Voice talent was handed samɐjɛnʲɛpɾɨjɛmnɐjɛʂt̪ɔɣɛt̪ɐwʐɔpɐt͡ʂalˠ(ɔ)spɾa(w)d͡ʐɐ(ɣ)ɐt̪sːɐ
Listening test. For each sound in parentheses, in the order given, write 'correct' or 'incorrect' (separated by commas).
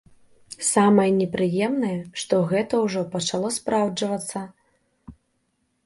correct, correct, incorrect